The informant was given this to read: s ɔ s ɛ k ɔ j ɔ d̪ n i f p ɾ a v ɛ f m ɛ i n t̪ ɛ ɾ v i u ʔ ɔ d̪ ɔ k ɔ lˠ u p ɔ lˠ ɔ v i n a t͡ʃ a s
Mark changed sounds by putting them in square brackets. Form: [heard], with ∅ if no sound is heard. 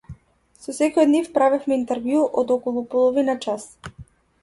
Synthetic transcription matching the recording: s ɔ s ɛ k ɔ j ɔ d̪ n i f p ɾ a v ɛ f m ɛ i n t̪ ɛ ɾ v [j] u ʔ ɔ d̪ ɔ k ɔ lˠ u p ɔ lˠ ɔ v i n a t͡ʃ a s

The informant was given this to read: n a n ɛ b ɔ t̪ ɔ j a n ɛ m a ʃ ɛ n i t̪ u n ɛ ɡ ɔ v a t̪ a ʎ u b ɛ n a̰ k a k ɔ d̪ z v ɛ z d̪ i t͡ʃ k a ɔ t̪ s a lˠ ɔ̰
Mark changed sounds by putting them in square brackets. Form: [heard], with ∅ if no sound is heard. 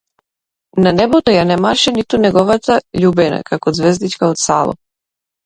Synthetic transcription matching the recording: n a n ɛ b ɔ t̪ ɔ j a n ɛ m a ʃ ɛ n i t̪ u n ɛ ɡ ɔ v a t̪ a ʎ u b ɛ n a̰ k a k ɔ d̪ z v ɛ z d̪ i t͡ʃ k a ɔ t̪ s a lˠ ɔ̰

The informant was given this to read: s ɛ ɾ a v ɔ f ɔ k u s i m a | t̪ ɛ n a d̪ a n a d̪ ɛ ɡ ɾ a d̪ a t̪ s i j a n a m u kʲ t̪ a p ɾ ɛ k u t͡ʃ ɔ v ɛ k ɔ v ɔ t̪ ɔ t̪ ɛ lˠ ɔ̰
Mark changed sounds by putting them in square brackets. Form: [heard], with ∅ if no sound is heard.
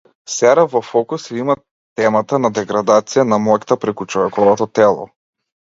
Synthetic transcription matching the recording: s ɛ ɾ a v ɔ f ɔ k u s i m a | t̪ ɛ [m] a [t̪] a n a d̪ ɛ ɡ ɾ a d̪ a t̪ s i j a n a m [ɔ] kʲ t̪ a p ɾ ɛ k u t͡ʃ ɔ v ɛ k ɔ v ɔ t̪ ɔ t̪ ɛ lˠ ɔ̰

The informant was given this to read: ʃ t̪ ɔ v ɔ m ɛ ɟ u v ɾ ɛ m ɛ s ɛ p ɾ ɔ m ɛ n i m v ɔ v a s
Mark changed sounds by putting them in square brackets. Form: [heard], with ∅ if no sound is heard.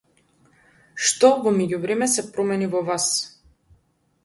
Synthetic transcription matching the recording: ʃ t̪ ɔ v ɔ m ɛ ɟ u v ɾ ɛ m ɛ s ɛ p ɾ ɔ m ɛ n i [∅] v ɔ v a s

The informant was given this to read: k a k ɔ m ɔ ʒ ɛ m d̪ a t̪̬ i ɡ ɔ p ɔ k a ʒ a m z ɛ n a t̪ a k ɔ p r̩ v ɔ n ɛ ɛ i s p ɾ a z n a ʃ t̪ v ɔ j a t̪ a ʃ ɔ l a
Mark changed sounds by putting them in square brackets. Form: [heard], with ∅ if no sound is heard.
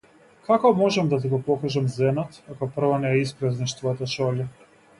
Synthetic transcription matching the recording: k a k ɔ m ɔ ʒ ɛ m d̪ a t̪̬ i ɡ ɔ p ɔ k a ʒ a m z ɛ n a t̪ a k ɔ p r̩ v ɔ n ɛ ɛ i s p ɾ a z n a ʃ t̪ v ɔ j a t̪ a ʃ ɔ l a

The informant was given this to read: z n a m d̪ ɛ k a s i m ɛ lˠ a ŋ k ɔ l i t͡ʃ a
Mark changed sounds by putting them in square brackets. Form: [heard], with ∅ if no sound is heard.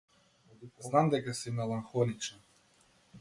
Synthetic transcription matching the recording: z n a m d̪ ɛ k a s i m ɛ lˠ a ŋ [x] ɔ l i t͡ʃ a

